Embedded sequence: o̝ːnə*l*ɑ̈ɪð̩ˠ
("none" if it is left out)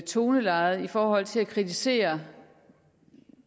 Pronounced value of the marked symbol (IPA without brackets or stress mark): l